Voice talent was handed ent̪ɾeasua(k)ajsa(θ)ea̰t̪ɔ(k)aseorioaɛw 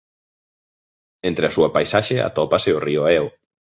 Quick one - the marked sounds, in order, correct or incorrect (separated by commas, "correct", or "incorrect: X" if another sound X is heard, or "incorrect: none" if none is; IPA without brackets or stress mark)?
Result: incorrect: p, incorrect: ʃ, incorrect: p